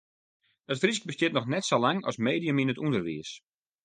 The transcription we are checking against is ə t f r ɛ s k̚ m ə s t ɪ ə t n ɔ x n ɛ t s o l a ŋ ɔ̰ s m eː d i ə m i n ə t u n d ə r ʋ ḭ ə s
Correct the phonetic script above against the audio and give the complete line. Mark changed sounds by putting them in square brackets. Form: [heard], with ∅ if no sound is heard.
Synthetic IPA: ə t f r [i] s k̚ [b] ə s t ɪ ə t n ɔ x n ɛ t s o l a ŋ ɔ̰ s m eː d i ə m i n ə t u n d ə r ʋ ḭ ə s

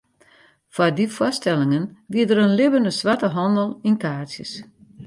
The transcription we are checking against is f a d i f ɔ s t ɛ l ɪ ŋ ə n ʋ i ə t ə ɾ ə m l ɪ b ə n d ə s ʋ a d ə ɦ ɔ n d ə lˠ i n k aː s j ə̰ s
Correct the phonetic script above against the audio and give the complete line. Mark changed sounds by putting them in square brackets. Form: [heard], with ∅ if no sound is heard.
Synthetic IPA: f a d i f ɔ s t ɛ l ɪ ŋ ə n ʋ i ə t ə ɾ ə [n] l ɪ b ə n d ə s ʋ a [t] ə ɦ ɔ n d ə lˠ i n k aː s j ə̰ s

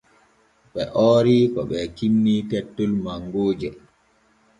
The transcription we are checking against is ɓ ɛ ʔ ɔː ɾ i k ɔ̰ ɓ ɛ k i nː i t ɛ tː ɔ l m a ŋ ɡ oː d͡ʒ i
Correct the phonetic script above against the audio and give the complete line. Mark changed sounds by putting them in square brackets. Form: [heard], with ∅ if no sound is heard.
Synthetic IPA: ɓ ɛ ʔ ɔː ɾ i k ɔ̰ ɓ ɛ k i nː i t ɛ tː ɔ l m a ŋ ɡ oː d͡ʒ [ɛ]

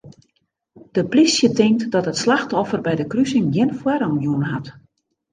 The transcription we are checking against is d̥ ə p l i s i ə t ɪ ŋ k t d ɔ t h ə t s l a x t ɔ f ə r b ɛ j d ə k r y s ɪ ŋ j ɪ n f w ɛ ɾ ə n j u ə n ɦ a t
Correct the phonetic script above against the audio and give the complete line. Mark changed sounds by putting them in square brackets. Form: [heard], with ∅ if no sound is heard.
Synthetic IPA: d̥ ə p l i s [j] ə t ɪ ŋ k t d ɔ t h ə t s l a x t ɔ f ə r b ɛ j d ə k r y s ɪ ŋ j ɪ n f w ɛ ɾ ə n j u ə n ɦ a t

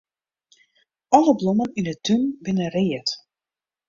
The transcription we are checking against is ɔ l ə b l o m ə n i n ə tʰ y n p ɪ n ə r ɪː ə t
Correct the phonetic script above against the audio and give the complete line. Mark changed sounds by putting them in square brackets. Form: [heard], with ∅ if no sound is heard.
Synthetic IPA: ɔ l ə b l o m ə n i n ə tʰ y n [b] ɪ n ə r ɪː ə t

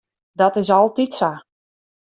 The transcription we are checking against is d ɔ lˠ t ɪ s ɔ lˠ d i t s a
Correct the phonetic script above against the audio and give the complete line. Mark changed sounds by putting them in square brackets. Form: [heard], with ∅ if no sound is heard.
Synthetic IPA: d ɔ [∅] t ɪ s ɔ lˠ [t] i t s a

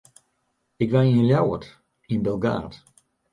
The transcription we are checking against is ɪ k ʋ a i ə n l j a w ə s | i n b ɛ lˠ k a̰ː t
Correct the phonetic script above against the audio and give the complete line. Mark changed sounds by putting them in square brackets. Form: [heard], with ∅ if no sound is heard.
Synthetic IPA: ɪ k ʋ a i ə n l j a w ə [t] | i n b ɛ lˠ [ɡ] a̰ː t

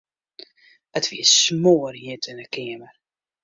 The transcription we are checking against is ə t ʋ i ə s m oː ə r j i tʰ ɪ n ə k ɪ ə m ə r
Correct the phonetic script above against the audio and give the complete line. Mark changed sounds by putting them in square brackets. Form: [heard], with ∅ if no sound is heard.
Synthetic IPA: ə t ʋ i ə s m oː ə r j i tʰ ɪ n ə k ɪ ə m ə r

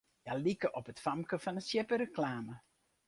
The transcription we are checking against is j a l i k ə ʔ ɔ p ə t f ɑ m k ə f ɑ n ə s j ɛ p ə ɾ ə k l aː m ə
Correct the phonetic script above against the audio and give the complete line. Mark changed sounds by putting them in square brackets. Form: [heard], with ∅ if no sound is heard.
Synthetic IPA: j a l i k ə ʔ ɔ p ə t f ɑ m k ə f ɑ n ə s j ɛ p ə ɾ ə k l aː m ə

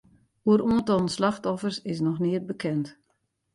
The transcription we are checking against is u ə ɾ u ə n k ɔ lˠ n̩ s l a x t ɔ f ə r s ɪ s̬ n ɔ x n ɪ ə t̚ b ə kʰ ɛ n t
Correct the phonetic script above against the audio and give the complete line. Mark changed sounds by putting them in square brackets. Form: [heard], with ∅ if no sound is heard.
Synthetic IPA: u ə ɾ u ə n [t] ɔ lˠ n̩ s l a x t ɔ f ə r s ɪ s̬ n ɔ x n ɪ ə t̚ b ə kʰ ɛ n t

